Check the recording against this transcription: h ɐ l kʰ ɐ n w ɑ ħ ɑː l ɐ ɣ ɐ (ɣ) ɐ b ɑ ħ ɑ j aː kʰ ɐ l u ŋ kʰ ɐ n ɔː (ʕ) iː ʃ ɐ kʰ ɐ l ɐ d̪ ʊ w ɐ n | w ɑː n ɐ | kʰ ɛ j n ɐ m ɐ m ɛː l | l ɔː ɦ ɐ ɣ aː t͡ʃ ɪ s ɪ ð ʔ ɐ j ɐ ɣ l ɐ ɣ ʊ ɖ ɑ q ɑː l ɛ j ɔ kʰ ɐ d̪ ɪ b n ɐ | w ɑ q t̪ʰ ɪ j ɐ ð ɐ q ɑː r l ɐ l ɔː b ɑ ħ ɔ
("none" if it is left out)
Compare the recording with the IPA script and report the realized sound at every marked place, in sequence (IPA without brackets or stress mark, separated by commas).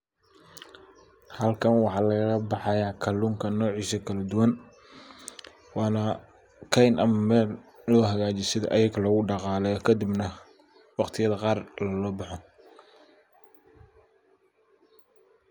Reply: ɣ, ʕ